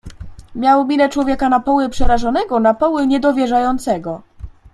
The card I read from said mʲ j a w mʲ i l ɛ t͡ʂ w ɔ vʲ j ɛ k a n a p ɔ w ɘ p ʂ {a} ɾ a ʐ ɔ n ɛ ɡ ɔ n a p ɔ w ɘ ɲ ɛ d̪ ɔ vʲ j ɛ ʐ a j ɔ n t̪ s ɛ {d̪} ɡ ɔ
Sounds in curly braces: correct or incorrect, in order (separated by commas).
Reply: incorrect, incorrect